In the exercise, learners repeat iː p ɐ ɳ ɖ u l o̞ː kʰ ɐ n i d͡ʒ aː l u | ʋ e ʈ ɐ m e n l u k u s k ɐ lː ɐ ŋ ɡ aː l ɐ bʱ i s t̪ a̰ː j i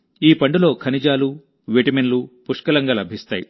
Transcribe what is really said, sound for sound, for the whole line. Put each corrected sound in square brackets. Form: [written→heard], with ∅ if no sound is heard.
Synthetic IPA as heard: iː p ɐ ɳ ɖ u l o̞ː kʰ ɐ n i d͡ʒ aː l u | ʋ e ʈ ɐ m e n l u [k→p] u [s→ʂ] k ɐ [lː→l] ɐ ŋ ɡ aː l ɐ bʱ i s t̪ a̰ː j i

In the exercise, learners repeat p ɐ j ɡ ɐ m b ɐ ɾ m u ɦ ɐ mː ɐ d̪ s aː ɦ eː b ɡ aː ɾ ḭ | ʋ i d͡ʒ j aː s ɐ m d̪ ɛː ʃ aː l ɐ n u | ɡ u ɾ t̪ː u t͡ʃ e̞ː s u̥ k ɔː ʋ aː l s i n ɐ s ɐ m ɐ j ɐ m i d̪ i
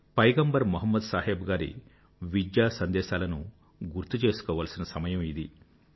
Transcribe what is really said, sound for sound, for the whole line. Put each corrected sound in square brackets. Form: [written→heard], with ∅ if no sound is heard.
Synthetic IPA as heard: p ɐ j ɡ ɐ m b ɐ ɾ m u ɦ ɐ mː ɐ d̪ s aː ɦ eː b ɡ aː ɾ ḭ | ʋ i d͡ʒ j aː s ɐ [m→n] d̪ ɛː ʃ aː l ɐ n u | ɡ u ɾ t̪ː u t͡ʃ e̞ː s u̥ k ɔː ʋ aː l s i n ɐ s ɐ m ɐ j ɐ m i d̪ i

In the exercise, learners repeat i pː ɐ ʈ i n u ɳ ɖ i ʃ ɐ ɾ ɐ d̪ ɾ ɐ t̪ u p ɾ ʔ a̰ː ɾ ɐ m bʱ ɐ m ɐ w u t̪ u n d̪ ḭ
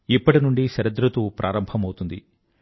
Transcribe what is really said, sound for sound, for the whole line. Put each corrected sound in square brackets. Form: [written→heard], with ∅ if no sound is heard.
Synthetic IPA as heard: i pː ɐ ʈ i n u ɳ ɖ i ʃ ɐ ɾ ɐ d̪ ɾ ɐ t̪ u p ɾ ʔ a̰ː ɾ ɐ m bʱ ɐ m ɐ w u t̪ u n d̪ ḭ

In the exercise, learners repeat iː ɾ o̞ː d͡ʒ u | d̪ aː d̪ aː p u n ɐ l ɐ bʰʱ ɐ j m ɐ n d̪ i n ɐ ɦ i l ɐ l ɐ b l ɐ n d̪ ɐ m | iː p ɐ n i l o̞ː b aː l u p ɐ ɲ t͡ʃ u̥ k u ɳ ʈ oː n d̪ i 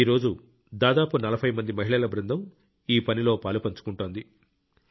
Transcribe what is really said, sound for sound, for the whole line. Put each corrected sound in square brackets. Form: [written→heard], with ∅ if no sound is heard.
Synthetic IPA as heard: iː ɾ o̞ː d͡ʒ u | d̪ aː d̪ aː p u n ɐ l ɐ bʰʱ ɐ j m ɐ n d̪ i [n→m] ɐ ɦ i [l→ɭ] ɐ l ɐ b [l→ɾ] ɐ n d̪ ɐ m | iː p ɐ n i l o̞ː [b→p] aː l u p ɐ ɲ t͡ʃ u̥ k u ɳ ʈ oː n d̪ i

